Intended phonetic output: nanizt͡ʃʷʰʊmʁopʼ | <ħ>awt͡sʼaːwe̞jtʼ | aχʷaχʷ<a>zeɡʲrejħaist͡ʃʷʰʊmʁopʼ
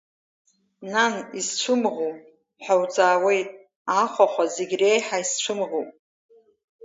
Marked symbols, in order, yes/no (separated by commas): yes, yes